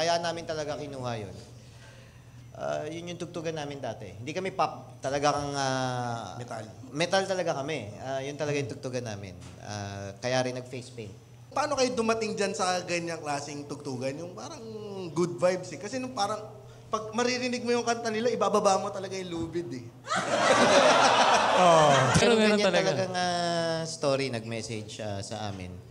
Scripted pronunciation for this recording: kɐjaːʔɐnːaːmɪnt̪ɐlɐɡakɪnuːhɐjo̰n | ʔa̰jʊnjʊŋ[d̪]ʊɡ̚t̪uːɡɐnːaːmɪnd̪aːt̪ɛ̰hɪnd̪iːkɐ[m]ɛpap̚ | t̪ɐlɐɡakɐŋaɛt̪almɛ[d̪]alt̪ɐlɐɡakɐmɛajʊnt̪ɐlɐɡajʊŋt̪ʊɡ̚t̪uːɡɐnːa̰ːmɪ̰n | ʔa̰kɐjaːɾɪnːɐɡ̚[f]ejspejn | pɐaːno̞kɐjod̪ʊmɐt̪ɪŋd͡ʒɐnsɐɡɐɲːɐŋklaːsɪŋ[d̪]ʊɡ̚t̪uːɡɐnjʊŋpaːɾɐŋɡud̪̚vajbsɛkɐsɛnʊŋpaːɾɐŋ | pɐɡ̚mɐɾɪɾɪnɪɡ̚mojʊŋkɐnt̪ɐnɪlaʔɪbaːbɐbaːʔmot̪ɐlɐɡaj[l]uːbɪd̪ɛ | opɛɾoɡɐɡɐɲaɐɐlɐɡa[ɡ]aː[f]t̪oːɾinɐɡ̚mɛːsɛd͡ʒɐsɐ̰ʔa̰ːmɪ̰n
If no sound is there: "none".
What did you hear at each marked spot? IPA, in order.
t̪, m, t̪, f, t̪, l, ŋ, s

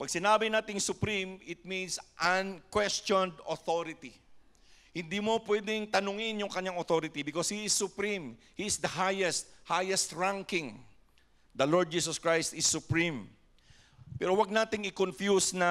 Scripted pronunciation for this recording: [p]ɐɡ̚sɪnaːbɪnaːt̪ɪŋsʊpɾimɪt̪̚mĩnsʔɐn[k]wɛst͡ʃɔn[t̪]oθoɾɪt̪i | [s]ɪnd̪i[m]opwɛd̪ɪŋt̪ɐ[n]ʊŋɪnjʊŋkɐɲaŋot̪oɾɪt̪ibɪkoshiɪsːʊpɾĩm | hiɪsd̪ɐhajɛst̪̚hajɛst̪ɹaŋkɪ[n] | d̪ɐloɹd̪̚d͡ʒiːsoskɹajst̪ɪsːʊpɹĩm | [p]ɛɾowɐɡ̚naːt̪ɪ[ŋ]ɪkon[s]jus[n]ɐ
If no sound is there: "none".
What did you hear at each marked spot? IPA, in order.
p, k, d̪, h, m, n, ŋ, p, ŋ, f, n

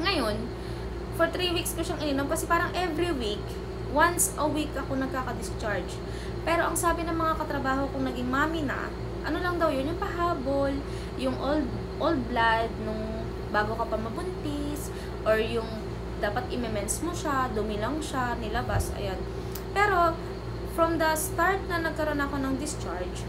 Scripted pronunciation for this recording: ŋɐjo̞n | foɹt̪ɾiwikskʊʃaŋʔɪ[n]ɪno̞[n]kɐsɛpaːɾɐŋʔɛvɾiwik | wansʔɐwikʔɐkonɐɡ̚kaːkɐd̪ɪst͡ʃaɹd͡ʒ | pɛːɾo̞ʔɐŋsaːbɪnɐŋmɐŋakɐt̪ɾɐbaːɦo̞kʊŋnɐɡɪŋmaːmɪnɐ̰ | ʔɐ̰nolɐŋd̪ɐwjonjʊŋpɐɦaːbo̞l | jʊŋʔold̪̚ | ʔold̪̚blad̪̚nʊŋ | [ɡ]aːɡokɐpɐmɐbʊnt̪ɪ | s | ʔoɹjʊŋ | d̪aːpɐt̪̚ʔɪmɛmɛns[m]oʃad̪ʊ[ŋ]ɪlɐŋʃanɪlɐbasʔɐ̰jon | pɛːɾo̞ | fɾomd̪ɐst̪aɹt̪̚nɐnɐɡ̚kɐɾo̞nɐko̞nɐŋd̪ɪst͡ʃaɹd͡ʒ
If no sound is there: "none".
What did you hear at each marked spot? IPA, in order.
n, m, b, m, m

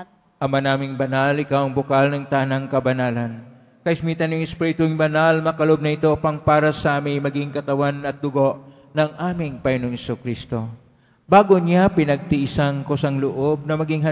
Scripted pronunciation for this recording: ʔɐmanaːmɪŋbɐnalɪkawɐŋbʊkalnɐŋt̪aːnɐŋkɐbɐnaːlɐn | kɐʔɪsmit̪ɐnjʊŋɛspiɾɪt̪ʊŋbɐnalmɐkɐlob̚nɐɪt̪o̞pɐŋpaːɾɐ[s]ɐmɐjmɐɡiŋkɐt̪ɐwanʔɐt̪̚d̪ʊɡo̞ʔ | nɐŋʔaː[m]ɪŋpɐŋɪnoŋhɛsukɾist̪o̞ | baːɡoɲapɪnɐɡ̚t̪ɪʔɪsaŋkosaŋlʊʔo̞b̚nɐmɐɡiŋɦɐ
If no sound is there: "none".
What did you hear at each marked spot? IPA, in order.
s, m

